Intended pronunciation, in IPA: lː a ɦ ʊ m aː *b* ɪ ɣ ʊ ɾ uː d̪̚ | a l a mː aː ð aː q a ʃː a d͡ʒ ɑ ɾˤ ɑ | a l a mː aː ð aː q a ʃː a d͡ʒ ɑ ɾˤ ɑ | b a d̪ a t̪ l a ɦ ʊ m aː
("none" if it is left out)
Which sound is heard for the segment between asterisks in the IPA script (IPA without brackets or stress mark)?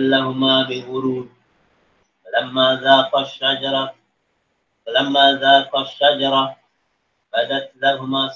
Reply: b